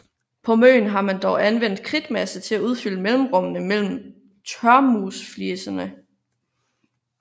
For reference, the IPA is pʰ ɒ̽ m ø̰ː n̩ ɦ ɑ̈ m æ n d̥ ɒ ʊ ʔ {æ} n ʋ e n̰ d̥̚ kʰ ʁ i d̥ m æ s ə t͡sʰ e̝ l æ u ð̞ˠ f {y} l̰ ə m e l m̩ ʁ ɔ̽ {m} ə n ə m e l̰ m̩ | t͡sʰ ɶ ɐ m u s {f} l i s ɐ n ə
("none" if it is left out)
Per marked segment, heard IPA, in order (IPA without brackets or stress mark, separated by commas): æ, y, m, f